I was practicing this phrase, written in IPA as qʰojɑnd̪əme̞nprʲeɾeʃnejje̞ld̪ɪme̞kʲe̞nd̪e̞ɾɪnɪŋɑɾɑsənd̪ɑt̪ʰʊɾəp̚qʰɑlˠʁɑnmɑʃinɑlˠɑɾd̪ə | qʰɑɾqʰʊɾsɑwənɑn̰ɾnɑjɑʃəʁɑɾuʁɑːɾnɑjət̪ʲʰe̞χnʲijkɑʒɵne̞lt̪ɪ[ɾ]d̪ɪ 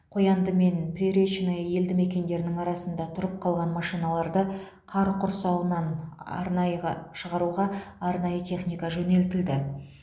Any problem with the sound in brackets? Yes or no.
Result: yes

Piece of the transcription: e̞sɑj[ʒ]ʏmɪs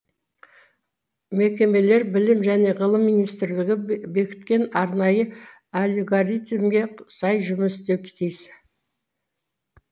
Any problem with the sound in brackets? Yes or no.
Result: no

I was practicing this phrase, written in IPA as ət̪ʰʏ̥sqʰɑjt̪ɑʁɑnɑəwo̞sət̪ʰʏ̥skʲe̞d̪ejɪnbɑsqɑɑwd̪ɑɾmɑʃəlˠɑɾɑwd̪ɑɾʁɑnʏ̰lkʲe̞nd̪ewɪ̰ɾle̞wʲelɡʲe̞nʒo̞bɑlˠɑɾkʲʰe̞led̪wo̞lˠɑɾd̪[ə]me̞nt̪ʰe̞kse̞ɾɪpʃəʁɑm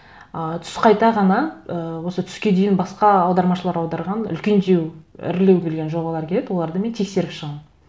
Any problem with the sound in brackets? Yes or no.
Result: no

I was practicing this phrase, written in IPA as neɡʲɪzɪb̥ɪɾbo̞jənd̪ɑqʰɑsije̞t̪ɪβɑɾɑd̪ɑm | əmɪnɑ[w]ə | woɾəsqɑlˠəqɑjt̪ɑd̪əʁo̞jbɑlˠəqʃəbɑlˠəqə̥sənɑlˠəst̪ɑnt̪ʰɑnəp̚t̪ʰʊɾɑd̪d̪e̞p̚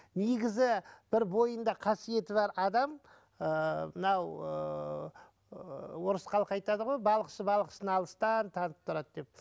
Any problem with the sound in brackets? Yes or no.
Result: no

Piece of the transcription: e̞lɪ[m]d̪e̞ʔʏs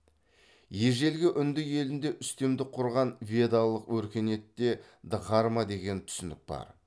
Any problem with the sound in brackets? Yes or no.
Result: yes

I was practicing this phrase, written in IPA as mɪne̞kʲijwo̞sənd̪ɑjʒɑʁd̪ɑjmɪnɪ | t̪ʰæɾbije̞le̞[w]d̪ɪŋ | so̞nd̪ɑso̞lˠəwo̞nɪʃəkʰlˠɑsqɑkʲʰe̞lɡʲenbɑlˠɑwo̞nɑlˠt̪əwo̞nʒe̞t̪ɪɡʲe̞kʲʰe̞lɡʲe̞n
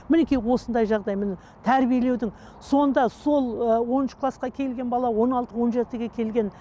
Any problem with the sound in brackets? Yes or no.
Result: no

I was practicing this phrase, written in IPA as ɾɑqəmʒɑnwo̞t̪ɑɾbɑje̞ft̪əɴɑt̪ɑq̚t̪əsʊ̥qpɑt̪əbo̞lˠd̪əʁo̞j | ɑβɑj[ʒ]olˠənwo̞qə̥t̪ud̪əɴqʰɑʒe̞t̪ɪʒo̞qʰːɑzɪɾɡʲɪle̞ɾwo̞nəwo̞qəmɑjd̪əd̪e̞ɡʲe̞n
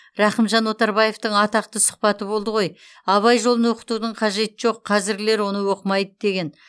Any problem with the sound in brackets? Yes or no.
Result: no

